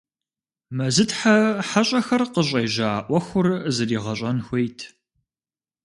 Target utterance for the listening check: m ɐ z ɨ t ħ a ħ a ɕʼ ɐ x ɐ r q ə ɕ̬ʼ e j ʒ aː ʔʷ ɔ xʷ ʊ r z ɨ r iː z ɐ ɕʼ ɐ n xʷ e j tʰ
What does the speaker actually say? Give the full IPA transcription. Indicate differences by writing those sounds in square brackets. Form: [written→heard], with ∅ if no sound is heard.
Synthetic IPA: m ɐ z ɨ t ħ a ħ a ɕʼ ɐ x ɐ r q ə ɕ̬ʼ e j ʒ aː ʔʷ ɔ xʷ ʊ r z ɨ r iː [z→ʁ] ɐ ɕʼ ɐ n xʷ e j tʰ